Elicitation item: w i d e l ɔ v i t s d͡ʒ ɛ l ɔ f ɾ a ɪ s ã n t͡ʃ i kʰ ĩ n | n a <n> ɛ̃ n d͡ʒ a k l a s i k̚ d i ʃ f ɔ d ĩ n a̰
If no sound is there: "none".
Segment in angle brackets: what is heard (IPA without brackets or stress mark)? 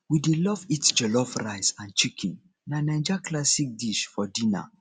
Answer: n